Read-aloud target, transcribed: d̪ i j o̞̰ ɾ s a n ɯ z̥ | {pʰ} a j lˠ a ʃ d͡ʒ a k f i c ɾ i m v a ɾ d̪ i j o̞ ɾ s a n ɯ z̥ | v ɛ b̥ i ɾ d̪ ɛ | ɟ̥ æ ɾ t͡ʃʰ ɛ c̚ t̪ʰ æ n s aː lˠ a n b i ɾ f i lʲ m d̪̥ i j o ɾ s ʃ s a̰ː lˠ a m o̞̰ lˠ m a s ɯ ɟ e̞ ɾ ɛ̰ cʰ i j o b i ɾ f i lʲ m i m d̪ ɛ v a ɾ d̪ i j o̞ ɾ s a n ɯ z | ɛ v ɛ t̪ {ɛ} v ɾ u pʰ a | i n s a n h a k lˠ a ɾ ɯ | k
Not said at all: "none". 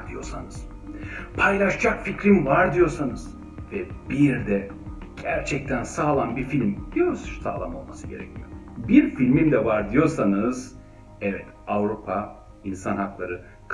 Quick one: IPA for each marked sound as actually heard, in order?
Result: pʰ, a

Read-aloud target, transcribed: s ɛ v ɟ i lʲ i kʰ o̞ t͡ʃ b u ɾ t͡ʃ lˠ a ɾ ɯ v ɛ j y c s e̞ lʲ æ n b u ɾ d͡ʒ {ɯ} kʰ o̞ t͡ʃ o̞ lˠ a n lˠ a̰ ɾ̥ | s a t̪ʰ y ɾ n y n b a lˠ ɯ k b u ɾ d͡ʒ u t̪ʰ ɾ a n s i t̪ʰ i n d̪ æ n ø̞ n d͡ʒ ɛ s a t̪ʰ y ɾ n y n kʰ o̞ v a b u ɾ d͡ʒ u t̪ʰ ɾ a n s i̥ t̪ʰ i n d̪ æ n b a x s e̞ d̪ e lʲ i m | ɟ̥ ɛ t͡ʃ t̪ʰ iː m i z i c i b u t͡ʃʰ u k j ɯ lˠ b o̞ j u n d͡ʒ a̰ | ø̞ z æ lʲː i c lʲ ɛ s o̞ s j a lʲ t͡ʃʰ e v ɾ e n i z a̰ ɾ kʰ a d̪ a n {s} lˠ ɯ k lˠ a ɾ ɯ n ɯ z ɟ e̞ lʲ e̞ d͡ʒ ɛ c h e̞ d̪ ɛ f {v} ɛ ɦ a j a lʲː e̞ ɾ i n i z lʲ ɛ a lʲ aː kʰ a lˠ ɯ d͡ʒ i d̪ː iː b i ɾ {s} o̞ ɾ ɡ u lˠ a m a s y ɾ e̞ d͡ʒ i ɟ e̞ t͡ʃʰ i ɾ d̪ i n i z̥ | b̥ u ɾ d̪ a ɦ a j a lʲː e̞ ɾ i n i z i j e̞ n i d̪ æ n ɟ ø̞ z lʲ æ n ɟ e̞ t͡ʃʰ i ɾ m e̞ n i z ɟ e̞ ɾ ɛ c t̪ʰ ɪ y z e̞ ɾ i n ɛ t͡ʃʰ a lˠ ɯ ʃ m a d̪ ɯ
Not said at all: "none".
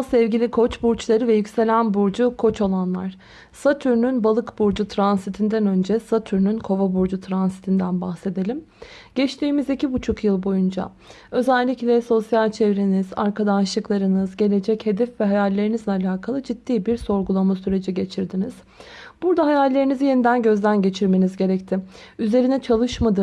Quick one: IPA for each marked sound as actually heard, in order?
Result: u, ʃ, v, s

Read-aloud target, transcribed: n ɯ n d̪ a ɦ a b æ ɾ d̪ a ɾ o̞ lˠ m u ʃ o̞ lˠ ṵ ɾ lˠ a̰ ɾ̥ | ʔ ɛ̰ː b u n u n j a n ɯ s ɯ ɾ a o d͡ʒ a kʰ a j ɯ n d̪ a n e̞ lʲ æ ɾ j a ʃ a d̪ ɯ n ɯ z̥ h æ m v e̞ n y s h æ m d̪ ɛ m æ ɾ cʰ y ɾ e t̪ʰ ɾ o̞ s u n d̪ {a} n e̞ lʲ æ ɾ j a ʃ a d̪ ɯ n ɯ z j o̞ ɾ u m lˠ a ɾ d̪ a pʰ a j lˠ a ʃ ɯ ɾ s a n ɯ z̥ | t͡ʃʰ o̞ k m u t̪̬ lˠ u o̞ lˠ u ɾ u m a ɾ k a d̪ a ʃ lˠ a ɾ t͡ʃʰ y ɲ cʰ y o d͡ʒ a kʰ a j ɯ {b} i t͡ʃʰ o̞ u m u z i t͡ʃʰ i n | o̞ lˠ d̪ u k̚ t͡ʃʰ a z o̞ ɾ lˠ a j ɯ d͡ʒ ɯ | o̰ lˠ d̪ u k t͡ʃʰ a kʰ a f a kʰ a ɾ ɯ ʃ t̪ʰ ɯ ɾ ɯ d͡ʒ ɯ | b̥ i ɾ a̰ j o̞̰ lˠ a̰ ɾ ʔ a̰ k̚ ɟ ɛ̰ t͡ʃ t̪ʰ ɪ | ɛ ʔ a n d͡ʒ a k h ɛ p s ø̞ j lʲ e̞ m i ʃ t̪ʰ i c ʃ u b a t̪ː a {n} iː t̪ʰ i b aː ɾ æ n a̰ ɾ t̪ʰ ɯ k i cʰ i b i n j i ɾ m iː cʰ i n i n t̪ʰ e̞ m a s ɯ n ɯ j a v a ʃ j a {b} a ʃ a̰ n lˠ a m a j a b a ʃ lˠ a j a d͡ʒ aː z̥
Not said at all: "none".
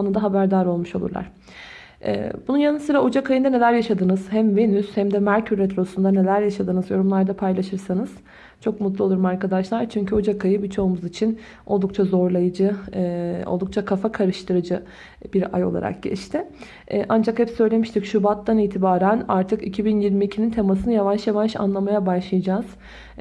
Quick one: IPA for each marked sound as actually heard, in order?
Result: a, b, n, v

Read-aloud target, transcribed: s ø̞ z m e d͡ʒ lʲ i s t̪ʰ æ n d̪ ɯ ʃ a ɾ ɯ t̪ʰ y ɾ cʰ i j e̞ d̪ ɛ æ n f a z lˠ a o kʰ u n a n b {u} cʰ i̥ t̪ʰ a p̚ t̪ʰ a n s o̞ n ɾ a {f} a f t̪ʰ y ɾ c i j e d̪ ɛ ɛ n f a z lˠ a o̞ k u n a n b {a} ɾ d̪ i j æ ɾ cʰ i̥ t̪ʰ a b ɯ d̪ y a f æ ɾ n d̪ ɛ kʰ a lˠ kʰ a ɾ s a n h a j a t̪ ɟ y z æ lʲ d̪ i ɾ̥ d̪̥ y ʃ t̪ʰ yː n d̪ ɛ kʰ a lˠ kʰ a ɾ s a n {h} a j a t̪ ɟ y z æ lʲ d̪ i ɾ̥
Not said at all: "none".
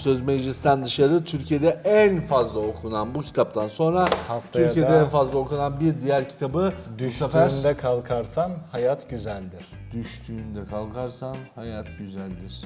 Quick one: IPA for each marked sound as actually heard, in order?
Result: u, h, i, h

